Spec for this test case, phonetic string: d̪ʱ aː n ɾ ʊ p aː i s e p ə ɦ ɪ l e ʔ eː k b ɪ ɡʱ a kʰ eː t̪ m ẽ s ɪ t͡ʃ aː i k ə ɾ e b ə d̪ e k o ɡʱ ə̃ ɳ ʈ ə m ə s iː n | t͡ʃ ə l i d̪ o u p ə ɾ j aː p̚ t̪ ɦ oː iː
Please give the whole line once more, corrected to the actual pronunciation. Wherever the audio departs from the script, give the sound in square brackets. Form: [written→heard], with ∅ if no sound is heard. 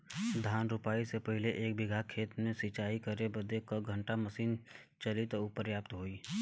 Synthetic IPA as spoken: d̪ʱ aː n ɾ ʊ p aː i s e p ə ɦ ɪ l e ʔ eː k b ɪ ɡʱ a kʰ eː t̪ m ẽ s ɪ t͡ʃ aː i k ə ɾ e b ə d̪ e k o ɡʱ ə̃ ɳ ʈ [ə→a] m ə s iː n | t͡ʃ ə l i [d̪→t̪] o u p ə ɾ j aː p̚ t̪ ɦ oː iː